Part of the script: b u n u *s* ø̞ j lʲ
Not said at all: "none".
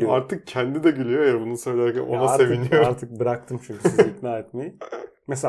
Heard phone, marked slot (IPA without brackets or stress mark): s